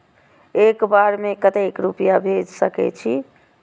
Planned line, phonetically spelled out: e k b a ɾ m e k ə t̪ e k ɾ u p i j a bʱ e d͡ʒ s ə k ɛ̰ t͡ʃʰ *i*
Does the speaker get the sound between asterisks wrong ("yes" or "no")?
no